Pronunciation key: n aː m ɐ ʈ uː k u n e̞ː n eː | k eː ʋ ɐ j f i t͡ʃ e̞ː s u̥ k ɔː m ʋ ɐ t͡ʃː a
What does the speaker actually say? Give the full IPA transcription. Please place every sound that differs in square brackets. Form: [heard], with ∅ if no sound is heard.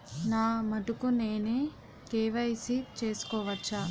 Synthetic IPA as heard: n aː m ɐ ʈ [u] k u n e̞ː n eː | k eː ʋ ɐ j [s] i t͡ʃ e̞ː s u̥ k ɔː [∅] ʋ ɐ t͡ʃː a